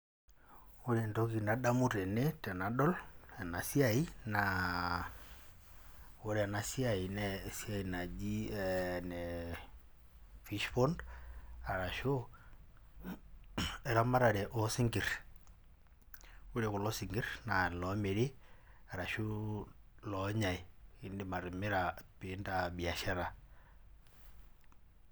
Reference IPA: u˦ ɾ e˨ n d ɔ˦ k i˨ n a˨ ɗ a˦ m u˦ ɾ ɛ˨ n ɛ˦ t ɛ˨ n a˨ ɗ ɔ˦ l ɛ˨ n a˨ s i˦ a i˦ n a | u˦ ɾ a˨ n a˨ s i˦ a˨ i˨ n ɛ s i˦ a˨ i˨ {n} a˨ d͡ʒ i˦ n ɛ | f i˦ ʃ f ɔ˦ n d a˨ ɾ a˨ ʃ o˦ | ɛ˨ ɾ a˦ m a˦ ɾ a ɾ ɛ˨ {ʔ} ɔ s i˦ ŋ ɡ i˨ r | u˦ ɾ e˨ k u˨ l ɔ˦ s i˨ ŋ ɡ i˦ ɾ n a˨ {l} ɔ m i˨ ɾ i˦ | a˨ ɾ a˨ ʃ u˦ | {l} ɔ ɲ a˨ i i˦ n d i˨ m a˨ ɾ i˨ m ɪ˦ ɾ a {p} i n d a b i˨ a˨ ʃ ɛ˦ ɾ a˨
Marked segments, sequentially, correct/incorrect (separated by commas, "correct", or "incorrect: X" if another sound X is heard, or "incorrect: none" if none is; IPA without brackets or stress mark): correct, correct, correct, correct, correct